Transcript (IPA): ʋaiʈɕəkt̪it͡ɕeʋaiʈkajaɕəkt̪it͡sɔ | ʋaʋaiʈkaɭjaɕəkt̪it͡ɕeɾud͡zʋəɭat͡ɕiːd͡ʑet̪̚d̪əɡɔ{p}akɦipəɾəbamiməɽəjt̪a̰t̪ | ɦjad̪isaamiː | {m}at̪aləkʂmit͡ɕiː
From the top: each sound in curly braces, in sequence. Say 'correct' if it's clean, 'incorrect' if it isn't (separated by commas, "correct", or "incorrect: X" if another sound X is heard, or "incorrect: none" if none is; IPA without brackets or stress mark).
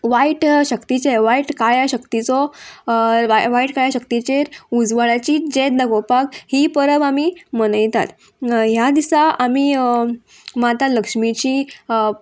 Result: correct, correct